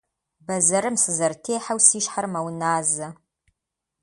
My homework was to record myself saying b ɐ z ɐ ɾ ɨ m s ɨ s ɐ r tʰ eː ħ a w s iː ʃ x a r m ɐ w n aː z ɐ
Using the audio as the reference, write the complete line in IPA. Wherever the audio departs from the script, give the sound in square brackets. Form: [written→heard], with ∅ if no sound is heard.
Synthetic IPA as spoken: b ɐ z ɐ ɾ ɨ m s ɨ [s→z] ɐ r tʰ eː ħ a w s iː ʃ [x→ħ] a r m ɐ w n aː z ɐ